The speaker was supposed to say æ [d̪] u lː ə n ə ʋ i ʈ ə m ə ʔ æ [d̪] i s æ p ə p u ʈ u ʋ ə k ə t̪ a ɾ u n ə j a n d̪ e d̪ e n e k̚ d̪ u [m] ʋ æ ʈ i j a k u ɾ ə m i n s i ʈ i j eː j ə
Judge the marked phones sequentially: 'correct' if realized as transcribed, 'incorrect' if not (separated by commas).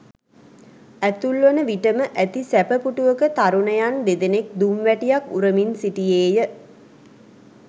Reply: incorrect, incorrect, correct